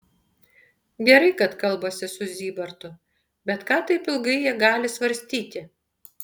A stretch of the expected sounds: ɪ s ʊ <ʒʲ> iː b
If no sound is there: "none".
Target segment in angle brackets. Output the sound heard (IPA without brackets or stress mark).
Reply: zʲ